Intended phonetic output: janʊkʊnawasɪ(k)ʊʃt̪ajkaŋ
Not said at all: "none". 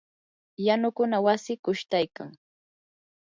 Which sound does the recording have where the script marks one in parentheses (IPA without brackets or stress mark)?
k